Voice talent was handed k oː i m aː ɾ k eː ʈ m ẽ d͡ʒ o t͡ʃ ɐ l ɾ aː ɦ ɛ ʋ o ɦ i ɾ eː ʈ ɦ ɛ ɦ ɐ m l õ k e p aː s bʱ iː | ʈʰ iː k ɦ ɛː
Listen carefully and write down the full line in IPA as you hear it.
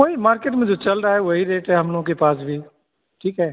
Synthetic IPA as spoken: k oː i m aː ɾ k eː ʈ m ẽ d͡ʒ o t͡ʃ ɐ l ɾ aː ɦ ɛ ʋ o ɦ i ɾ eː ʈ ɦ ɛ ɦ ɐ m l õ k e p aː s bʱ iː | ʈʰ iː k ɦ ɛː